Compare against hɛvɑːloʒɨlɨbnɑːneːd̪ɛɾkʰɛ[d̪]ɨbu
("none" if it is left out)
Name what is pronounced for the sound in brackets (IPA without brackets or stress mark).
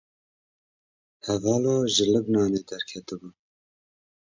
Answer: t̪